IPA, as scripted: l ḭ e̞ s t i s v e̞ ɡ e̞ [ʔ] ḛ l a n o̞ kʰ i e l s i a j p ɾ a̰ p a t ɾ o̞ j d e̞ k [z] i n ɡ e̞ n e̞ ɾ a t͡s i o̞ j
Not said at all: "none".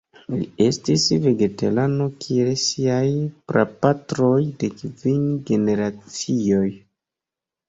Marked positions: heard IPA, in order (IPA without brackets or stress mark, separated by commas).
t, v